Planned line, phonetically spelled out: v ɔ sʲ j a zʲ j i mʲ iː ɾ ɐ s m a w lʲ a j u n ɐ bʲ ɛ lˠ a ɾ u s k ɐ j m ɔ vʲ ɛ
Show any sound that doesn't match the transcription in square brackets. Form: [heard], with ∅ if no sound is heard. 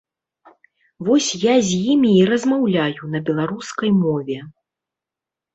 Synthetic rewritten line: v ɔ sʲ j a zʲ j i mʲ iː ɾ ɐ [z] m a w lʲ a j u n ɐ bʲ ɛ lˠ a ɾ u s k ɐ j m ɔ vʲ ɛ